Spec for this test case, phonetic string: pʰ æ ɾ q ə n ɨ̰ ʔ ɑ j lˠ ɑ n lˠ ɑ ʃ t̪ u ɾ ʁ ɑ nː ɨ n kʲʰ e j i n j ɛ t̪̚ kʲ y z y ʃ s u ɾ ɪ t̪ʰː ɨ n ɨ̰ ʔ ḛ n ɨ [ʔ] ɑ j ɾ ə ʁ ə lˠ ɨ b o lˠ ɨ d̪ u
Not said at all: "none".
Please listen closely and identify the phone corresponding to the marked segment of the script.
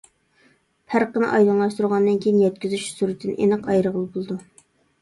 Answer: q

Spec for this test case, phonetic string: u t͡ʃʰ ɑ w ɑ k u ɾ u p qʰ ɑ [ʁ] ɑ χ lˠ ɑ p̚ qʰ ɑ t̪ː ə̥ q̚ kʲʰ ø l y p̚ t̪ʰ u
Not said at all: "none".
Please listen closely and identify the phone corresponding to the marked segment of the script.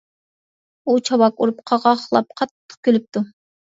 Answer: ʁ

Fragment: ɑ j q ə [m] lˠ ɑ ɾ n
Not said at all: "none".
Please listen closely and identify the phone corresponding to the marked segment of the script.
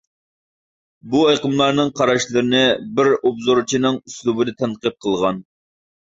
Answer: m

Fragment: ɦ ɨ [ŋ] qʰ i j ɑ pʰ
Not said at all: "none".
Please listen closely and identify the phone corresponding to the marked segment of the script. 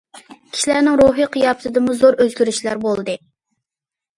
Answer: none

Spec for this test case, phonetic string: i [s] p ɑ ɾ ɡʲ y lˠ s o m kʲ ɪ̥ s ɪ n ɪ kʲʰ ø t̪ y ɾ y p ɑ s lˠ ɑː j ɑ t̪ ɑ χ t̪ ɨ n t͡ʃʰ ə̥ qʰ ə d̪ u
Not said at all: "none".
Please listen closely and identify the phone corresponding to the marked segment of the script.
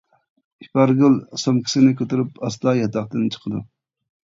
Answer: none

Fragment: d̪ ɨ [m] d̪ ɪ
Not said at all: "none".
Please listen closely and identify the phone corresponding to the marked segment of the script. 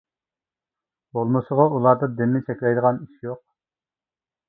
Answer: none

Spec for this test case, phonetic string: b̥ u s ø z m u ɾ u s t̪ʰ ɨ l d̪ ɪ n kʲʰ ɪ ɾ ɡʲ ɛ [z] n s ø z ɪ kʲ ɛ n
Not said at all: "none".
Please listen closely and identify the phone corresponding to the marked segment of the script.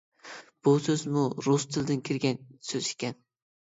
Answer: none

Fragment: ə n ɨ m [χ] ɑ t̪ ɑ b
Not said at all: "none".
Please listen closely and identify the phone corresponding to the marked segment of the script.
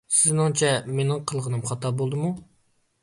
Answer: χ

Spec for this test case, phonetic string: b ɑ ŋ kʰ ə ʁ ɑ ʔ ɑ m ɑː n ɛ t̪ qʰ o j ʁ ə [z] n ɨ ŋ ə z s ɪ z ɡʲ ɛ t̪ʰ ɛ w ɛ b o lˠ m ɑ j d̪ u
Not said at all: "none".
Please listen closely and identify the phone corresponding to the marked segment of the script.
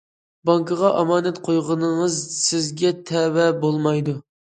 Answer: none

